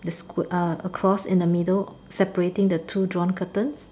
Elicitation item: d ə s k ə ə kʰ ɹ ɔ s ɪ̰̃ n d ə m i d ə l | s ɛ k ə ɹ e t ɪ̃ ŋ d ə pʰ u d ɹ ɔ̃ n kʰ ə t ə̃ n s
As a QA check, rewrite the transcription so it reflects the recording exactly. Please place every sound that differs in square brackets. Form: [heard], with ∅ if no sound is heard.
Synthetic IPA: d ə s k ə ə kʰ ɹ ɔ s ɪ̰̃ n d ə m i d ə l | s ɛ [p] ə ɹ e t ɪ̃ ŋ d ə [tʰ] u d ɹ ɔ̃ n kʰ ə t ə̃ n s